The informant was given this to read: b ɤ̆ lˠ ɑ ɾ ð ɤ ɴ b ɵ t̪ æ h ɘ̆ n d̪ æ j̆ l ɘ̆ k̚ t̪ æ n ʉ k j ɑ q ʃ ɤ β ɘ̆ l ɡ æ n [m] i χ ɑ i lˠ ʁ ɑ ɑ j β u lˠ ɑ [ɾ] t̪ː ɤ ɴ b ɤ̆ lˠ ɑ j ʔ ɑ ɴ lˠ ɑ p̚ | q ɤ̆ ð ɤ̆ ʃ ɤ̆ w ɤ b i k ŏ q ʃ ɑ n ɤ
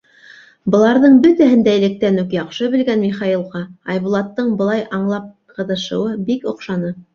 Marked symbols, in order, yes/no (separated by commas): yes, no